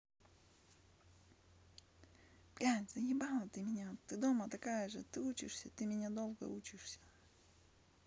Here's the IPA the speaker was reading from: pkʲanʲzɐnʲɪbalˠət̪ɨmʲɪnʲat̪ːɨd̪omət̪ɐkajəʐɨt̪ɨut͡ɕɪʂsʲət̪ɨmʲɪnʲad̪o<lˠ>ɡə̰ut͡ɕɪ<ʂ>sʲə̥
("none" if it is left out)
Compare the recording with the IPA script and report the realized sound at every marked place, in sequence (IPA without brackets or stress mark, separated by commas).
lˠ, ʂ